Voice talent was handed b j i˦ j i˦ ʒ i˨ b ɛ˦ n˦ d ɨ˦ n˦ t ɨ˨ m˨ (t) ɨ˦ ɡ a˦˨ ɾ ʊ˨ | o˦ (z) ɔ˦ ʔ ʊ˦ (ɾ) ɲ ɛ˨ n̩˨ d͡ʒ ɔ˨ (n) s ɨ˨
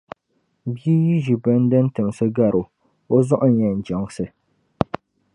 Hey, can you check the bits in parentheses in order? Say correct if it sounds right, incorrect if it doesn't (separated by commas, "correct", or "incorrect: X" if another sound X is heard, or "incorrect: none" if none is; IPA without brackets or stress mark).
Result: incorrect: s, correct, incorrect: none, incorrect: ŋ